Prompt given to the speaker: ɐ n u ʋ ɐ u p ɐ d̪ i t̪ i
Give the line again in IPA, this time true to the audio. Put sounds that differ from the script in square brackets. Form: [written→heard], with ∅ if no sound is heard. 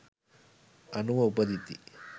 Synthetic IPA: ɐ n u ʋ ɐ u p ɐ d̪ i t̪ i